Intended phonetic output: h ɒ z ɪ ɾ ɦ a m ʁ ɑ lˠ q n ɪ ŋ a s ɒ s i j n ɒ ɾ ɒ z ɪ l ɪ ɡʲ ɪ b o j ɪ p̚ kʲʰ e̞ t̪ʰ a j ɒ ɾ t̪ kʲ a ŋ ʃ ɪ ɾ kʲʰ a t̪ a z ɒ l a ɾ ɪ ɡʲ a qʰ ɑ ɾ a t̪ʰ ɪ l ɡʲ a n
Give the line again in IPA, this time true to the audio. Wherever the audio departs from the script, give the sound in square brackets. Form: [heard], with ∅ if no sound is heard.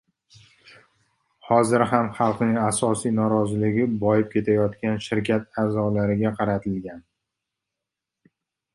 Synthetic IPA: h ɒ z ɪ ɾ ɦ a m [χ] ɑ lˠ q n ɪ ŋ a s ɒ s i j n ɒ ɾ ɒ z ɪ l ɪ ɡʲ ɪ b [ɒ] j ɪ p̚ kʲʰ e̞ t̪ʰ a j ɒ [∅] t̪ kʲ a [n] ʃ ɪ ɾ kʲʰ a t̪ a z ɒ l a ɾ ɪ ɡʲ a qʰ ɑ ɾ a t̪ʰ ɪ l ɡʲ a n